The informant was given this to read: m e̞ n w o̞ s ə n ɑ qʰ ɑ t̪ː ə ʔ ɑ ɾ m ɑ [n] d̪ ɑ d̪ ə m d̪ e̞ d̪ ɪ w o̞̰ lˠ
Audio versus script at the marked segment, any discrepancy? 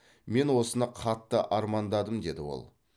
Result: no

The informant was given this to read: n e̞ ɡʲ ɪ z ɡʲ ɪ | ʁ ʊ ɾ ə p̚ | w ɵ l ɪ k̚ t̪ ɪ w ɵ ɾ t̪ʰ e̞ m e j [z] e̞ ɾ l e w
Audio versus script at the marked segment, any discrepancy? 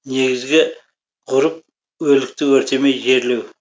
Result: yes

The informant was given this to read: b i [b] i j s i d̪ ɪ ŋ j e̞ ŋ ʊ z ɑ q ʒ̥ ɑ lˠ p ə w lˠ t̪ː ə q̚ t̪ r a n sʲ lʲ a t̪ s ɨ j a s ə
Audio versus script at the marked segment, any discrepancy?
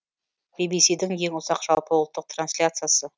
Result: no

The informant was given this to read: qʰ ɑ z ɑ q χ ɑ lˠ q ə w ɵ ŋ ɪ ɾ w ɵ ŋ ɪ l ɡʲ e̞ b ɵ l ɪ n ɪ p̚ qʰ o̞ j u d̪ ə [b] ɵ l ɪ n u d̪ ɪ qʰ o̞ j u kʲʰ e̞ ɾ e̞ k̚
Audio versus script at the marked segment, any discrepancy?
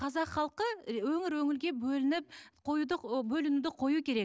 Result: no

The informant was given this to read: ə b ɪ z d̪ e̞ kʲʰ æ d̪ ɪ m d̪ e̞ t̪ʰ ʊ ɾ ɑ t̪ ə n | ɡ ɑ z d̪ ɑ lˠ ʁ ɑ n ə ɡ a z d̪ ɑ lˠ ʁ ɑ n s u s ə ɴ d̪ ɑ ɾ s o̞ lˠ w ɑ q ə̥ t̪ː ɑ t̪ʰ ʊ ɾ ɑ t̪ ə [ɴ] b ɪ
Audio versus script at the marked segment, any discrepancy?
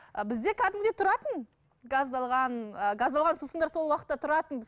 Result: yes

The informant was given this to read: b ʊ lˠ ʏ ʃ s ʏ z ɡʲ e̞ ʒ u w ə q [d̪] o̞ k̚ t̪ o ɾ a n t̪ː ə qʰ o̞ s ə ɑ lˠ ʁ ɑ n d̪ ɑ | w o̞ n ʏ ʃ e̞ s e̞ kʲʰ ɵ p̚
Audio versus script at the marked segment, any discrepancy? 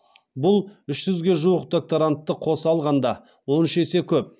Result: no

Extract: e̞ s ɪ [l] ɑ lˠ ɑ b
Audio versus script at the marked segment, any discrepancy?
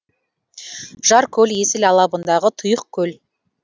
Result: no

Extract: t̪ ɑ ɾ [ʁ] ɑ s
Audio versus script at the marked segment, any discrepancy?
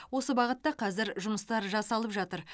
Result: yes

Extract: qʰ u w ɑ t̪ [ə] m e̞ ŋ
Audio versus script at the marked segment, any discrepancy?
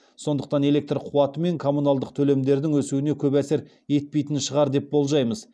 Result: no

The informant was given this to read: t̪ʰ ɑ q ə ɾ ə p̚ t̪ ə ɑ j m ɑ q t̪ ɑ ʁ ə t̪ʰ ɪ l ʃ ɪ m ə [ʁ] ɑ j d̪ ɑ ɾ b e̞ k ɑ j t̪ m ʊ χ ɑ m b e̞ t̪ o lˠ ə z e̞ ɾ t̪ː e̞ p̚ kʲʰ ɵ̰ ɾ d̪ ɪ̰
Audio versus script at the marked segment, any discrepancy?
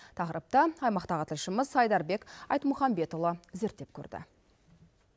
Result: yes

